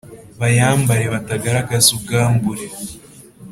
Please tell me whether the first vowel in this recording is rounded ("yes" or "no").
no